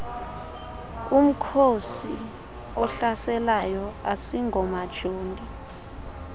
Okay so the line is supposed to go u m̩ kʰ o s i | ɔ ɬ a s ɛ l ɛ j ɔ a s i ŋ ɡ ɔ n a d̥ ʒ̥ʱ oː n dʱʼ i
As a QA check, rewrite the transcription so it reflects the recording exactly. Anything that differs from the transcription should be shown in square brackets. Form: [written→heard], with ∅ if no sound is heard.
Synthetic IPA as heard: u m̩ kʰ o s i | ɔ ɬ a s ɛ l [ɛ→a] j ɔ a s i ŋ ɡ ɔ [n→m] a d̥ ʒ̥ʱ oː n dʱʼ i